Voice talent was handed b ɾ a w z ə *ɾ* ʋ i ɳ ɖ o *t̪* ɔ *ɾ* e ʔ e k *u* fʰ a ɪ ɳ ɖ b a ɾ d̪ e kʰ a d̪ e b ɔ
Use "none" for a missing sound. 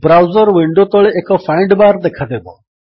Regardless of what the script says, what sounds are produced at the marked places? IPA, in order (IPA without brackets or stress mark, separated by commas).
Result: ɾ, t̪, ɭ, ɔ